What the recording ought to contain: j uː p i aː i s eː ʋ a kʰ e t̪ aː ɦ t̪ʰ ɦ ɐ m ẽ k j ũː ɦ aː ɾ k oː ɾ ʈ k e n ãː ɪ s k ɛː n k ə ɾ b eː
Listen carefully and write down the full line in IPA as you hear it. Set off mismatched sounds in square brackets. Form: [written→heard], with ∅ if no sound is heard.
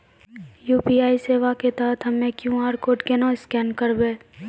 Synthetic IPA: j uː p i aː i s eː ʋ a [kʰ→k] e t̪ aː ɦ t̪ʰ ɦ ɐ m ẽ k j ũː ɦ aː ɾ k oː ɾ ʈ k e n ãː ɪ s k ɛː n k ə ɾ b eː